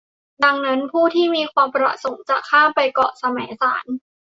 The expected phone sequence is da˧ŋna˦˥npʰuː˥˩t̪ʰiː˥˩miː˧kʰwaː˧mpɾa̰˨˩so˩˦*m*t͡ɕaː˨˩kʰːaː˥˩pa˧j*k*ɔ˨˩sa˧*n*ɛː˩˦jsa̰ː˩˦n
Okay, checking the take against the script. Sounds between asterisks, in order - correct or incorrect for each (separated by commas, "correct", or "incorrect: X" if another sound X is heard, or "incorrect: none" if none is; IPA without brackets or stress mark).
incorrect: ŋ, correct, incorrect: m